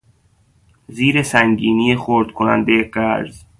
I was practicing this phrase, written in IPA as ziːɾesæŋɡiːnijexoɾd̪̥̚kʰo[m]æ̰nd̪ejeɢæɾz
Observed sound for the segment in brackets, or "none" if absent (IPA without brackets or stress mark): n